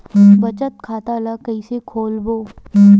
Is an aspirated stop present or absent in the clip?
present